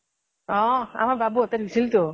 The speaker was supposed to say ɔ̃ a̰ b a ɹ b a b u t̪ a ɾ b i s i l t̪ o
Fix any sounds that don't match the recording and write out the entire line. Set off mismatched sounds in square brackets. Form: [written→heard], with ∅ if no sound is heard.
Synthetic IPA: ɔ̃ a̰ [b→m] a [ɹ→ɾ] b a b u t̪ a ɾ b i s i l t̪ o